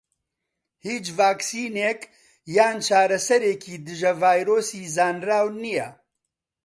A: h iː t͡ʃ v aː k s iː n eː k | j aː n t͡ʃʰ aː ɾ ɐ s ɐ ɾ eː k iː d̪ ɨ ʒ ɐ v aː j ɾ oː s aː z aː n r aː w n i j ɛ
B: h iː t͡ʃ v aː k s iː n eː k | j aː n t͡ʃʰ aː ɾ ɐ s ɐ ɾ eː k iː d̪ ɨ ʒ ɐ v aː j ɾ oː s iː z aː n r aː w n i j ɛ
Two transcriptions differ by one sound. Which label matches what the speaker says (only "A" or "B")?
B